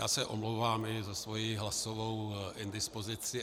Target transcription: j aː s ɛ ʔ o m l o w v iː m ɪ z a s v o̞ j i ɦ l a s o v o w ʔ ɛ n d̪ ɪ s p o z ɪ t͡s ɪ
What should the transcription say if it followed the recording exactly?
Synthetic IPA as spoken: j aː s ɛ ʔ o m l o w v aː m ɪ z a s v o̞ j i ɦ l a s o v o w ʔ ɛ n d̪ ɪ s p o z ɪ t͡s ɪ